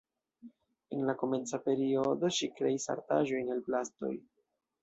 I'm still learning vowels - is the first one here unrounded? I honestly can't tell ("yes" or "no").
yes